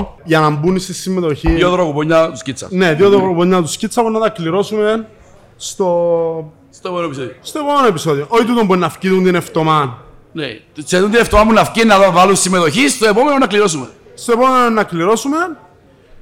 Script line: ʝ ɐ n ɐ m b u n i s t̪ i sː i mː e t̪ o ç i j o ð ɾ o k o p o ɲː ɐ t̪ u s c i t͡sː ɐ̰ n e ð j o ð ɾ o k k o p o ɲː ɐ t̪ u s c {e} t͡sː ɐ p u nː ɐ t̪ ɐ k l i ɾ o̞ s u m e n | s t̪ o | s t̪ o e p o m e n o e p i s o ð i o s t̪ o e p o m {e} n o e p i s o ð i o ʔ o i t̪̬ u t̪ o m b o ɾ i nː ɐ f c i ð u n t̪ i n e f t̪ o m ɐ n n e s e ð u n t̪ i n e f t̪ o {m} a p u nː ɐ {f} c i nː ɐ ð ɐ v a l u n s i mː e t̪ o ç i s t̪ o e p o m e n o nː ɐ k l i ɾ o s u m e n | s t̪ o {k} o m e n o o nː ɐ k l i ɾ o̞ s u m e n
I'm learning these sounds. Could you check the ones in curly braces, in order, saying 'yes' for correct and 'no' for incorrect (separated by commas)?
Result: no, yes, yes, yes, no